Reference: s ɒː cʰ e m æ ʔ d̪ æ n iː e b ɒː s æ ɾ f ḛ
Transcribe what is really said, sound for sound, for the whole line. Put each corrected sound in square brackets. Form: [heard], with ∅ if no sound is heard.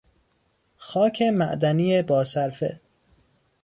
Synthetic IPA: [x] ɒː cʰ e m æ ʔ d̪ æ n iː e b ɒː s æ ɾ f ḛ